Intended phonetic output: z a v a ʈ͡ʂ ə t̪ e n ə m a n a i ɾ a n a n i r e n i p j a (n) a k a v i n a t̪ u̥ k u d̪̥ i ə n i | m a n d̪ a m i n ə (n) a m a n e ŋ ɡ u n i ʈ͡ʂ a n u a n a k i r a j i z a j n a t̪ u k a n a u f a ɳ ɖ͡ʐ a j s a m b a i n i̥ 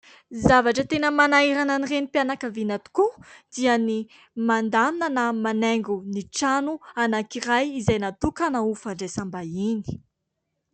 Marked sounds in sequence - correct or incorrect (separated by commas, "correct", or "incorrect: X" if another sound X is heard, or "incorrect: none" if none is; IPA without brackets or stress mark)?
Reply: correct, correct